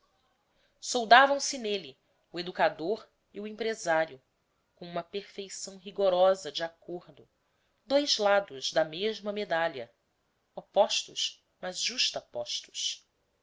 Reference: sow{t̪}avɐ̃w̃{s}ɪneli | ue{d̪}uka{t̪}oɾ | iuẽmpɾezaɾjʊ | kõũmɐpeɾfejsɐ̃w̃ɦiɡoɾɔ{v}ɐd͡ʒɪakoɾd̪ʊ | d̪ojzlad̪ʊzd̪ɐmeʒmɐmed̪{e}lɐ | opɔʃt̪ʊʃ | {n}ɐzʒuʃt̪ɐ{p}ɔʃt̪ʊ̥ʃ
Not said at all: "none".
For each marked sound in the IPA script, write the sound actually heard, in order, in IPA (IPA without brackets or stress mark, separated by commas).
d̪, s, d̪, d̪, z, a, m, p